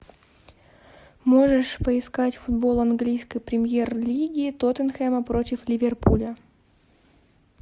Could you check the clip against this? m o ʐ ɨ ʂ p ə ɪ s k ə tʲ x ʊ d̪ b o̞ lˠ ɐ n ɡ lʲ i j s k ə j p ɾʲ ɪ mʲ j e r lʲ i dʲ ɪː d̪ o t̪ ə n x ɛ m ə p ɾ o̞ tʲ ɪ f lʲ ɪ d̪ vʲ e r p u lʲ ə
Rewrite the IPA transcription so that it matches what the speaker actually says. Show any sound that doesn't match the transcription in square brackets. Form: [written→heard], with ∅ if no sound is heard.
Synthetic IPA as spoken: m o ʐ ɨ ʂ p ə ɪ s k [ə→a] tʲ [x→f] ʊ d̪ b o̞ lˠ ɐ n ɡ lʲ i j s k ə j p ɾʲ ɪ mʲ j e r lʲ i [dʲ→ɡʲ] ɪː [d̪→t̪] o t̪ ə n x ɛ m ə p ɾ o̞ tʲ ɪ f lʲ ɪ [d̪→∅] vʲ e r p u lʲ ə